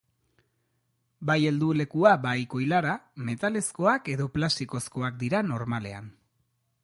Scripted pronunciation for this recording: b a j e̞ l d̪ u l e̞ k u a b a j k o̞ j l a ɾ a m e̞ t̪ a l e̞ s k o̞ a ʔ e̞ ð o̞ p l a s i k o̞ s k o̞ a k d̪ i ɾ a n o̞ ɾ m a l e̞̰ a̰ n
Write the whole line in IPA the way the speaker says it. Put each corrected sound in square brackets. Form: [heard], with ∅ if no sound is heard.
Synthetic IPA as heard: b a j e̞ l d̪ u l e̞ k u a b a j k o̞ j l a ɾ a m e̞ t̪ a l e̞ s k o̞ a [k] e̞ ð o̞ p l a s i k o̞ s k o̞ a k d̪ i ɾ a n o̞ ɾ m a l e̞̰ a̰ n

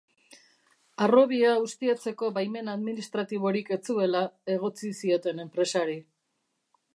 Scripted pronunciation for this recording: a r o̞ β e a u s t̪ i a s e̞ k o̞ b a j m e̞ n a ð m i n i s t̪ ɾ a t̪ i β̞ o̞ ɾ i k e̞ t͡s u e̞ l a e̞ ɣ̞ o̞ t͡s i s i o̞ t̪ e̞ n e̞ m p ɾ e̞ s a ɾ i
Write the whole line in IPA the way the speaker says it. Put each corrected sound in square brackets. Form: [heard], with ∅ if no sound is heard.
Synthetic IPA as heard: a r o̞ β [i] a u s t̪ i a [t͡s] e̞ k o̞ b a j m e̞ n a ð m i n i s t̪ ɾ a t̪ i β̞ o̞ ɾ i k e̞ t͡s u e̞ l a e̞ ɣ̞ o̞ t͡s i s i o̞ t̪ e̞ n e̞ m p ɾ e̞ s a ɾ i

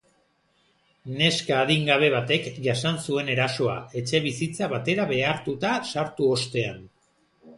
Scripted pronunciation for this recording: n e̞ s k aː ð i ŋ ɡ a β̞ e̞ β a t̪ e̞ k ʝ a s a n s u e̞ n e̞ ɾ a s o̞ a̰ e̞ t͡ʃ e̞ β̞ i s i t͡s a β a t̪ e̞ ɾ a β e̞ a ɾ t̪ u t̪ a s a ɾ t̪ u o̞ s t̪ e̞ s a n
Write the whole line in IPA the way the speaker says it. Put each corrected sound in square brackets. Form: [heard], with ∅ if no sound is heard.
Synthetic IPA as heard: n e̞ s k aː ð i ŋ ɡ a β̞ e̞ β a t̪ e̞ k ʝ a s a n s u e̞ n e̞ ɾ a s o̞ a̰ e̞ t͡ʃ e̞ β̞ i s i t͡s a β a t̪ e̞ ɾ a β e̞ a ɾ t̪ u t̪ a s a ɾ t̪ u o̞ s t̪ e̞ [∅] a n

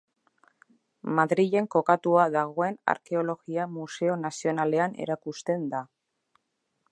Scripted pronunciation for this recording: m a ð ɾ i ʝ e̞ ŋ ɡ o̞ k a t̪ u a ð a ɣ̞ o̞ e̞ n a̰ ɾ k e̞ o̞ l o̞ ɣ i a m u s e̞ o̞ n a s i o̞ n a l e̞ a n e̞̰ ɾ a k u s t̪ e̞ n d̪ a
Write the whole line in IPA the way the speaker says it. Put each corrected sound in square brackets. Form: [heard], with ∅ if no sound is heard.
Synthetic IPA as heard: m a ð ɾ i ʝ e̞ ŋ [k] o̞ k a t̪ u a ð a ɣ̞ o̞ e̞ n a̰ ɾ k e̞ o̞ l o̞ ɣ i a m u s e̞ o̞ n a s i o̞ n a l e̞ a n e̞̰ ɾ a k u s t̪ e̞ n d̪ a

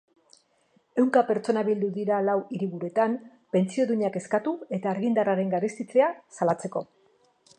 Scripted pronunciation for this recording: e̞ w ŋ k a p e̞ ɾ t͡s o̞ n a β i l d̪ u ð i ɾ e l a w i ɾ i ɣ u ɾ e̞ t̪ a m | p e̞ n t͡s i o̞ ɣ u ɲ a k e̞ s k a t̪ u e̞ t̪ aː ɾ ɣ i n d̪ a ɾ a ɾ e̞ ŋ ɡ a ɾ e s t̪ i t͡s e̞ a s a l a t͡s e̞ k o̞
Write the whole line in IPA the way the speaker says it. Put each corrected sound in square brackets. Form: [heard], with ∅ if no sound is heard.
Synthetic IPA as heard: e̞ w ŋ k a p e̞ ɾ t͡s o̞ n a β i l d̪ u ð i ɾ [a] l a w i ɾ i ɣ u ɾ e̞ t̪ a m | p e̞ n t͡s i o̞ [ð] u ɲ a k e̞ s k a t̪ u e̞ t̪ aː ɾ ɣ i n d̪ a [r] a ɾ e̞ ŋ ɡ a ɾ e s t̪ i t͡s e̞ a s a l a t͡s e̞ k o̞

